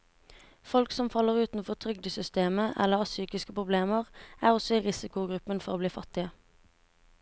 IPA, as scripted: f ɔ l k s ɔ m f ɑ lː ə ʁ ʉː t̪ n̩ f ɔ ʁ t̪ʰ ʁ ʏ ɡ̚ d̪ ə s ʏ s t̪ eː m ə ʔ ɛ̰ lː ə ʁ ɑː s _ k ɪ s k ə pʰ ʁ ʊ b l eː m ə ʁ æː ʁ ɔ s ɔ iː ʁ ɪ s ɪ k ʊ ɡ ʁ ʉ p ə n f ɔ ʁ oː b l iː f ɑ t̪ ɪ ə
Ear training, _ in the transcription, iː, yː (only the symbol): yː